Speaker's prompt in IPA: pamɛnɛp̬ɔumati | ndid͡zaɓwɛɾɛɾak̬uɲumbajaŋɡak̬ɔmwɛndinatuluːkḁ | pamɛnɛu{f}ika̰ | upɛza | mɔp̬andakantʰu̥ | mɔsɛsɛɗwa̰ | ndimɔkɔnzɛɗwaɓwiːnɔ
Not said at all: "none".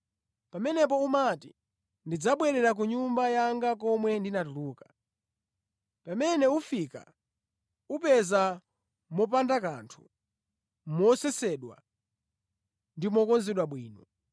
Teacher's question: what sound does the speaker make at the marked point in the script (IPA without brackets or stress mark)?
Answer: f